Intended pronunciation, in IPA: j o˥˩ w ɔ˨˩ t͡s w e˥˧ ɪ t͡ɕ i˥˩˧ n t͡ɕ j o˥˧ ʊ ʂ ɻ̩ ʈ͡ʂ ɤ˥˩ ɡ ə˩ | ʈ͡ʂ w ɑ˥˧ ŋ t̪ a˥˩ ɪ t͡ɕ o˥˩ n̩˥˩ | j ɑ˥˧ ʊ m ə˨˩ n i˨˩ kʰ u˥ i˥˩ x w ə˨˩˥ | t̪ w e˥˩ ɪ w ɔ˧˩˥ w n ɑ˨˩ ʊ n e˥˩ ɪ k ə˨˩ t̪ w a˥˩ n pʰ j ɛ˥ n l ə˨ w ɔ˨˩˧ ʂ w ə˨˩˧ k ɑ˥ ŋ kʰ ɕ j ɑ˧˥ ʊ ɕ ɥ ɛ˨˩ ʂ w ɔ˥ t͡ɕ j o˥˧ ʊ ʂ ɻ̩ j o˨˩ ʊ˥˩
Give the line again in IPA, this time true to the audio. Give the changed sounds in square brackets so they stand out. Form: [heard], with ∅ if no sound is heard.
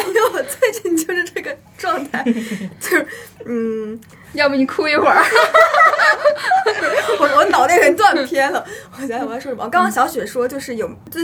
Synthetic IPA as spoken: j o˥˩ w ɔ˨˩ t͡s w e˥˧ ɪ t͡ɕ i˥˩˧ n t͡ɕ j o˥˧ ʊ ʂ ɻ̩ ʈ͡ʂ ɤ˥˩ ɡ ə˩ | ʈ͡ʂ w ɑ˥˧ ŋ [t̪ʰ] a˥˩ ɪ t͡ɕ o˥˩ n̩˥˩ | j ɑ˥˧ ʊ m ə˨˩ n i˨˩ kʰ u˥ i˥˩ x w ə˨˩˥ | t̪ w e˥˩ ɪ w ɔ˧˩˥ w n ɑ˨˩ ʊ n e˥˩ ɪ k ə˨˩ t̪ w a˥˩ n pʰ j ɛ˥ n l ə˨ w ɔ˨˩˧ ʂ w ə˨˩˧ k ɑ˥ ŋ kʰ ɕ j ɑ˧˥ ʊ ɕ ɥ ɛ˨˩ ʂ w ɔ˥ t͡ɕ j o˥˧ ʊ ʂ ɻ̩ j o˨˩ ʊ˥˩